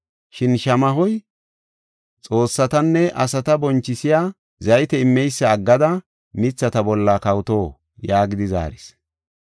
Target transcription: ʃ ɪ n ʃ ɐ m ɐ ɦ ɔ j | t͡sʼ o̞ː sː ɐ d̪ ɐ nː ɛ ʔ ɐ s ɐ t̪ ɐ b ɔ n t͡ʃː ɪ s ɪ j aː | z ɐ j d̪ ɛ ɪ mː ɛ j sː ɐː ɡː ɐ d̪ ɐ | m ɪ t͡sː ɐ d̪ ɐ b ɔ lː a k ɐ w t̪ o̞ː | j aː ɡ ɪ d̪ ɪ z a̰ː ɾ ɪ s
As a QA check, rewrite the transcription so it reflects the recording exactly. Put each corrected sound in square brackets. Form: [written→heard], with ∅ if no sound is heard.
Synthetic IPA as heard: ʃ ɪ n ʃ ɐ m ɐ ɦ ɔ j | t͡sʼ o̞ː sː ɐ [d̪→t̪] ɐ nː ɛ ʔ ɐ s ɐ t̪ ɐ b ɔ n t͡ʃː ɪ s ɪ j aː | z ɐ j [d̪→t̪] ɛ ɪ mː ɛ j sː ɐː ɡː ɐ d̪ ɐ | m ɪ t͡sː ɐ [d̪→t̪] ɐ b ɔ lː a k ɐ w t̪ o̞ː | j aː ɡ ɪ d̪ ɪ z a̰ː ɾ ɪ s